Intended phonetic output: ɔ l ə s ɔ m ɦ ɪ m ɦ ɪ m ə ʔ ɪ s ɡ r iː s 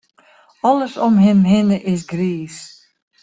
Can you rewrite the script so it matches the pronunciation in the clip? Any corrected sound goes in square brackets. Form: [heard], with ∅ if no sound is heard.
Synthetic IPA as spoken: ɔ l ə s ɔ m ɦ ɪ m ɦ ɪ [n] ə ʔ ɪ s ɡ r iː s